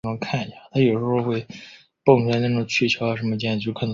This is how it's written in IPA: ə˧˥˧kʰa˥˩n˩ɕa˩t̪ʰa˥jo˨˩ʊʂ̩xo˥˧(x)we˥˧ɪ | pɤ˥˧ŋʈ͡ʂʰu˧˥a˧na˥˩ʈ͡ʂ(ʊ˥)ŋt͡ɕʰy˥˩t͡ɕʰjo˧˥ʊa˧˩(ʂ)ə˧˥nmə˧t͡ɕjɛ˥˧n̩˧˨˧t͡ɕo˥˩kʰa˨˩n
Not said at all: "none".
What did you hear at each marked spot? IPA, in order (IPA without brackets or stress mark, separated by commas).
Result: x, ʊ˨˩, ʂ